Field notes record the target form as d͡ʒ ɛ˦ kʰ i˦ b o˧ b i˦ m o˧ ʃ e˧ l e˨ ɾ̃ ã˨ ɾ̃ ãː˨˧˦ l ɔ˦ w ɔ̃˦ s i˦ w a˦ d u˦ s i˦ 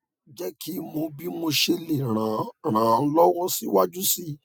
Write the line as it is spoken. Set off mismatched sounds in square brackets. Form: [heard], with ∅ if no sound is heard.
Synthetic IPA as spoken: d͡ʒ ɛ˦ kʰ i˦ [m] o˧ b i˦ m o˧ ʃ e˧ l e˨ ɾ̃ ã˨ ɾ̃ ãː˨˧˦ l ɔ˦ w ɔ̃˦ s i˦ w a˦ [d͡ʒ] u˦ s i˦

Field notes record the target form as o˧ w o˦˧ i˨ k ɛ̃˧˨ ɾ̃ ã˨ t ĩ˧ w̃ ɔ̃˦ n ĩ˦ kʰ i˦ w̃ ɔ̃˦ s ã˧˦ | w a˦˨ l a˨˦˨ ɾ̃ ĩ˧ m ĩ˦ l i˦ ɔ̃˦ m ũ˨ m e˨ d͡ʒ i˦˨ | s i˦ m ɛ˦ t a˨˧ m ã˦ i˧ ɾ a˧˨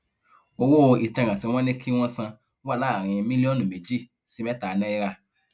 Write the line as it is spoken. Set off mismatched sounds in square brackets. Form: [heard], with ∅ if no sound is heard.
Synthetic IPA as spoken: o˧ w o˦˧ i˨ [t] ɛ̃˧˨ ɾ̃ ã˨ t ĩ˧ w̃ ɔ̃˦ n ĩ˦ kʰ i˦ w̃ ɔ̃˦ s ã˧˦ | w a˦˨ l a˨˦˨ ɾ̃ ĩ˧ m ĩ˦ l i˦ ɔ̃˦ [n] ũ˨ m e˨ d͡ʒ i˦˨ | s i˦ m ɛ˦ t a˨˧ [n] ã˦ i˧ ɾ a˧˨

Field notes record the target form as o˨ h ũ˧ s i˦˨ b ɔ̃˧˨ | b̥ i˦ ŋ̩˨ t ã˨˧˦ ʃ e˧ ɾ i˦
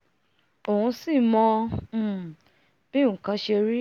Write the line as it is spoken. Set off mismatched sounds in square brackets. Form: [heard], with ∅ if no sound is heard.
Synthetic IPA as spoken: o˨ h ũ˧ s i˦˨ [m] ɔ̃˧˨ | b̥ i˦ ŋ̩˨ [k] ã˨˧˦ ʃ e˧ ɾ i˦

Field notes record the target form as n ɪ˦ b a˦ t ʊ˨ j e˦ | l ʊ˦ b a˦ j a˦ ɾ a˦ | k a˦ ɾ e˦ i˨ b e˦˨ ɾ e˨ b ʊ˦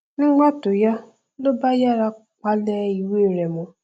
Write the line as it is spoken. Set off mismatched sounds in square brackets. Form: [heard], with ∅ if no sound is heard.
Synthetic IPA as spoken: n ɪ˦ [ɡ͡b] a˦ t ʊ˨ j [a˦] | l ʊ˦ b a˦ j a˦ ɾ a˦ | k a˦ [l] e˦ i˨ [w] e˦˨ ɾ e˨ [m] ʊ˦

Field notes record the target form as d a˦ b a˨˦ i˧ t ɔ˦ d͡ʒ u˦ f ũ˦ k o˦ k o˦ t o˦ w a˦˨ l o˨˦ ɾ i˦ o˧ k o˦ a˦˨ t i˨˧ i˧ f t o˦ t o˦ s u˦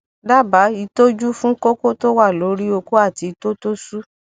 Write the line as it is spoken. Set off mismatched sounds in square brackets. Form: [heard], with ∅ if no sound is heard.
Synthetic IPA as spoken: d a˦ b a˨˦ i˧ t [o˦] d͡ʒ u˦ f ũ˦ k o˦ k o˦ t o˦ w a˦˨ l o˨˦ ɾ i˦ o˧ k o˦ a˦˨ t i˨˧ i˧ [∅] t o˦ t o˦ s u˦

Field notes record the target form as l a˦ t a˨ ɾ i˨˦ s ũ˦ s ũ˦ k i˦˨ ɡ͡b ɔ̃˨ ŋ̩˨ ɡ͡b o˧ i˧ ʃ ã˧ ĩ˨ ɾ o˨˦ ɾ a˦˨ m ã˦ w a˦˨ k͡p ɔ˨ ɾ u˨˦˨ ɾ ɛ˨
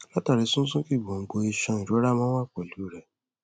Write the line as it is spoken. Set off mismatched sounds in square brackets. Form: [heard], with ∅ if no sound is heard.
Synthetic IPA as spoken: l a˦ t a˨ ɾ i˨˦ s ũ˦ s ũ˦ k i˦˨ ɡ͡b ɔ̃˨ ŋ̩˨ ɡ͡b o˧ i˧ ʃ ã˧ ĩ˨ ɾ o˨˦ ɾ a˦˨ m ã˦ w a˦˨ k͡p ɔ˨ [l] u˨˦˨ ɾ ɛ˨

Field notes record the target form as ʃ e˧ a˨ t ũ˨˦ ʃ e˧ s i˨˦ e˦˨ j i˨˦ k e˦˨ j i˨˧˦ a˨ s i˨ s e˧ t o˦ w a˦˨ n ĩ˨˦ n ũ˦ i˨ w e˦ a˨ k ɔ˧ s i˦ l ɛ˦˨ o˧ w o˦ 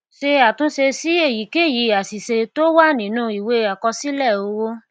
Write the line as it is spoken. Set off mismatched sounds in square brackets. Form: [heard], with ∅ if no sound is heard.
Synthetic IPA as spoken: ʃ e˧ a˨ t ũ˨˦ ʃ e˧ s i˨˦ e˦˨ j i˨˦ k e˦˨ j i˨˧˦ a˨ s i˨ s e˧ t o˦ w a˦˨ n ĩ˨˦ n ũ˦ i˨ w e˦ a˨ k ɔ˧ s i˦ l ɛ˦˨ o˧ w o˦

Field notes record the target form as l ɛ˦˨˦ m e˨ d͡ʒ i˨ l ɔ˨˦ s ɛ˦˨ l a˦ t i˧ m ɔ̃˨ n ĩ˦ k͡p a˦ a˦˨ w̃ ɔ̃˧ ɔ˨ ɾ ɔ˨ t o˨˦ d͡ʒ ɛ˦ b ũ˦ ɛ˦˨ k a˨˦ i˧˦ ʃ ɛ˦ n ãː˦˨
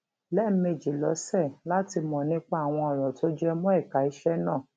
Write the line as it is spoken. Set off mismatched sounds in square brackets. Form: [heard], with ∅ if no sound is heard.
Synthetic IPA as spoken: l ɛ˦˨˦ m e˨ d͡ʒ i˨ l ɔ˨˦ s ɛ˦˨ l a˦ t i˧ m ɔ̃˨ n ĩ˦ k͡p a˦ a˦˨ w̃ ɔ̃˧ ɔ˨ ɾ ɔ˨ t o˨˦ d͡ʒ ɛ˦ [m] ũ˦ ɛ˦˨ k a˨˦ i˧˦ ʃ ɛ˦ n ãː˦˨

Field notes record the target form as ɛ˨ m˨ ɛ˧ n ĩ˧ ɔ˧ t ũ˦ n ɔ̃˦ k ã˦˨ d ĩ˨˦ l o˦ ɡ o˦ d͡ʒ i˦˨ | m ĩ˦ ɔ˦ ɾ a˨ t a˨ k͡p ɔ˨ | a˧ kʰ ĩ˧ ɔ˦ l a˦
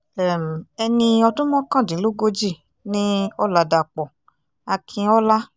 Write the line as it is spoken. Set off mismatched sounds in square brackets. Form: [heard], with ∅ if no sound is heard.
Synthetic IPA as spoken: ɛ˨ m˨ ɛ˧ n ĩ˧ ɔ˧ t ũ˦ [m] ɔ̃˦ k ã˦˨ d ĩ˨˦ l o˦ ɡ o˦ d͡ʒ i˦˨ | [n] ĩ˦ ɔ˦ [l] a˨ [d] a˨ k͡p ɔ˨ | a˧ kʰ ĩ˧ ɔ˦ l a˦

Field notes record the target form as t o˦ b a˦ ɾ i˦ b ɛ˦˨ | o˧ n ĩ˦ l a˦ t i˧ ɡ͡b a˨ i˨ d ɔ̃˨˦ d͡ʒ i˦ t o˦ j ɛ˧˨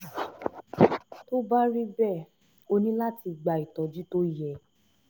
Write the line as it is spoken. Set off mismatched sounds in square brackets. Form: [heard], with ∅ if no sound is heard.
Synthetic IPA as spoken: t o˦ b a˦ ɾ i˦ b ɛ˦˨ | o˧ n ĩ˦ l a˦ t i˧ ɡ͡b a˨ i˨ [t] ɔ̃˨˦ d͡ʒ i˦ t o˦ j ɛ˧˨

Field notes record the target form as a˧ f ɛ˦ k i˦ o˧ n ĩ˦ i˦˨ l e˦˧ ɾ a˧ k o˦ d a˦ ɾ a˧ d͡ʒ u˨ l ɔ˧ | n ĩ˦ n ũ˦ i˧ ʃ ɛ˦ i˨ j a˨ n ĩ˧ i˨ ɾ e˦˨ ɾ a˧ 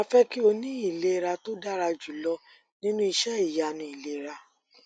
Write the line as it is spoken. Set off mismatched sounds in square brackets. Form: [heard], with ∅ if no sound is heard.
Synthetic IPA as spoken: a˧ f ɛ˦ k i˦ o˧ n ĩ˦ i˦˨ l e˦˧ ɾ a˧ [t] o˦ d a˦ ɾ a˧ d͡ʒ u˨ l ɔ˧ | n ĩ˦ n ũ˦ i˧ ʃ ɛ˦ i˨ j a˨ n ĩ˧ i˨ [l] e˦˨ ɾ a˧

